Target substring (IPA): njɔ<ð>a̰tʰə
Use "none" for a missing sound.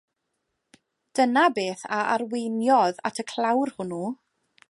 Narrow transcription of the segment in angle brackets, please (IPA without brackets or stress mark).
ð